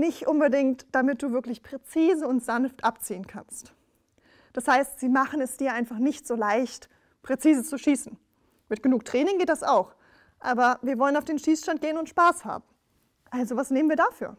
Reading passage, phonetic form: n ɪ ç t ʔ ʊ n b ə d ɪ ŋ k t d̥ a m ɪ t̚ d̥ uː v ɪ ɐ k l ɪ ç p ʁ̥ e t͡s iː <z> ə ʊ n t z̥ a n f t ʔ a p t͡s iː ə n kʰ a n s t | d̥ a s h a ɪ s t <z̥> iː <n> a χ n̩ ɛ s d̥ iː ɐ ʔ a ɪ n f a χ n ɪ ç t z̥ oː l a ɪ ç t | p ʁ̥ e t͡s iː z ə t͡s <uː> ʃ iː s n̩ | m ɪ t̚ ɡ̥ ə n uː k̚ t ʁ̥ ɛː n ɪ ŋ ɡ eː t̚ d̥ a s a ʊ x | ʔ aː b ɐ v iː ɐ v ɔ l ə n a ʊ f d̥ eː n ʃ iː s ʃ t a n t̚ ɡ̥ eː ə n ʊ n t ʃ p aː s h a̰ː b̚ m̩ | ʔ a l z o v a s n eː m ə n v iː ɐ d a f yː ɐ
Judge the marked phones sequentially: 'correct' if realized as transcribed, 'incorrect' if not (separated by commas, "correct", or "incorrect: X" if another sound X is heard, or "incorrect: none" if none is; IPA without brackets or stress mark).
correct, correct, incorrect: m, incorrect: u